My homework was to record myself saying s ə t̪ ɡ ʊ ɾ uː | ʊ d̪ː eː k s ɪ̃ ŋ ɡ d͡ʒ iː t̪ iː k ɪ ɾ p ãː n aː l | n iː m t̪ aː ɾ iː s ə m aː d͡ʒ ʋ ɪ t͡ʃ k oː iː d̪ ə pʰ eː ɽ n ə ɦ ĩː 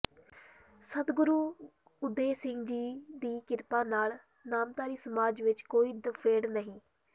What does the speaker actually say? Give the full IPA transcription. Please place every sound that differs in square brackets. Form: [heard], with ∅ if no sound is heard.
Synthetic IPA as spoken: s ə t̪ ɡ ʊ ɾ uː | ʊ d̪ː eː [∅] s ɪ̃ ŋ ɡ d͡ʒ iː [d̪] iː k ɪ ɾ p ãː n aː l | n [aː] m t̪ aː ɾ iː s ə m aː d͡ʒ ʋ ɪ t͡ʃ k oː iː d̪ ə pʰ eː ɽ n ə ɦ ĩː